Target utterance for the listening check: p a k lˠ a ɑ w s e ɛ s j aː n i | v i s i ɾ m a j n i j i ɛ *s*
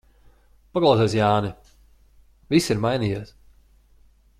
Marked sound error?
no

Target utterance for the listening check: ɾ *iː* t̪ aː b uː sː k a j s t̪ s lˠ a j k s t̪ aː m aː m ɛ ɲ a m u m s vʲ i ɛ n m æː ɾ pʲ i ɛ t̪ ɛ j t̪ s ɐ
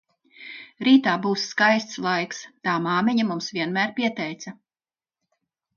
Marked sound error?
no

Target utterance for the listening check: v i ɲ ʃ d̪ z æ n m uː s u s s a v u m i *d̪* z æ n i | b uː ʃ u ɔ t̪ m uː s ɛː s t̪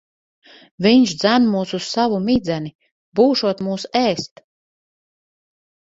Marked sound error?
no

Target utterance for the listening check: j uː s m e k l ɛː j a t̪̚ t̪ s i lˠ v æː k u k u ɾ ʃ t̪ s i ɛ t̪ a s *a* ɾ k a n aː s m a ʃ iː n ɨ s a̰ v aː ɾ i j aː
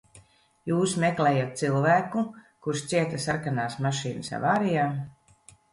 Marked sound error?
no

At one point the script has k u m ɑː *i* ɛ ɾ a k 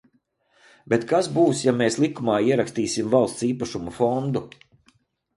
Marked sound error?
no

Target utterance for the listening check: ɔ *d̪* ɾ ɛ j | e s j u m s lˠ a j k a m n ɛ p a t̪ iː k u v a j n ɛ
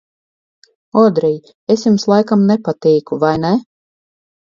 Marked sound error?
no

